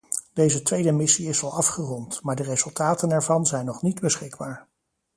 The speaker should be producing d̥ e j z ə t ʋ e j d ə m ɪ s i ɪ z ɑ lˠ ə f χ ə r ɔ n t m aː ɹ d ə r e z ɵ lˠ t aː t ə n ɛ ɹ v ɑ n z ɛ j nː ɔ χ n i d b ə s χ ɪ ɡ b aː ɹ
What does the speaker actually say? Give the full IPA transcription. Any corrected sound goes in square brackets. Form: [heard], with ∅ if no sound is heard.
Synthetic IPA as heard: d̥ e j z ə t ʋ e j d ə m ɪ s i ɪ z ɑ lˠ [ɑ] f χ ə r ɔ n t m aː ɹ d ə r e z ɵ lˠ t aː t ə n ɛ ɹ v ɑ n z ɛ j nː ɔ χ n i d b ə s χ ɪ ɡ b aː ɹ